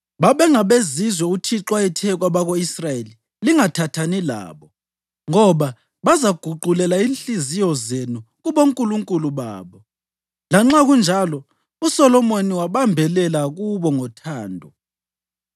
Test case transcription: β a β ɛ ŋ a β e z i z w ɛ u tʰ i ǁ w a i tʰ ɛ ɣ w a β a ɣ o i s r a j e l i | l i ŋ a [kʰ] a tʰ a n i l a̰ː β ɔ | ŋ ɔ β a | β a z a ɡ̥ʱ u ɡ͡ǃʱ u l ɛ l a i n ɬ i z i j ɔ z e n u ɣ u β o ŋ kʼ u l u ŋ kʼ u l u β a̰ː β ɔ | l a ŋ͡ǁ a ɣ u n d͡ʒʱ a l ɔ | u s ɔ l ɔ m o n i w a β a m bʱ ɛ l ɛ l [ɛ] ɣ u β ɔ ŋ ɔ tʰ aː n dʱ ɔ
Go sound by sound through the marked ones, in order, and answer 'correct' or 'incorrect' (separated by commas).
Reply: incorrect, incorrect